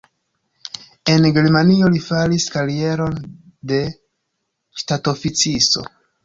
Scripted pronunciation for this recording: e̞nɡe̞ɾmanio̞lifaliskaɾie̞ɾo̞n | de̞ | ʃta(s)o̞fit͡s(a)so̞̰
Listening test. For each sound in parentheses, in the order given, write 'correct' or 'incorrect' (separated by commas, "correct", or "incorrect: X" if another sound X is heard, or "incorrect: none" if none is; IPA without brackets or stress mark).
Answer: incorrect: t, incorrect: i